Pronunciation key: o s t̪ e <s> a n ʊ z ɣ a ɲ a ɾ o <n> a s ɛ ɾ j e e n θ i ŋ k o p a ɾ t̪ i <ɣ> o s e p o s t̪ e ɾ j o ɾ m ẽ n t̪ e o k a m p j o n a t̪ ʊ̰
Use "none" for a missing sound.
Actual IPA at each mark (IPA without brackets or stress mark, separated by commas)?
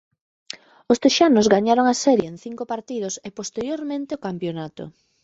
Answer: ʃ, ŋ, ð